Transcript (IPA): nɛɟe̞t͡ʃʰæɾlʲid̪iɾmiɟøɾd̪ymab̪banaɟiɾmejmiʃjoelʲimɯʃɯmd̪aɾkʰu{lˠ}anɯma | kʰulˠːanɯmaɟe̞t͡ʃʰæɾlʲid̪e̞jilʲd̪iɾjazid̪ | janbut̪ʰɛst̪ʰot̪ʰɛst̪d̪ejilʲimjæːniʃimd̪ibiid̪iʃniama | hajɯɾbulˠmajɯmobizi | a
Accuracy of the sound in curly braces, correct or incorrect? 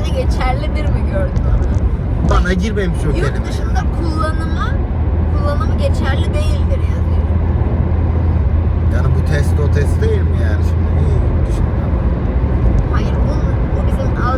incorrect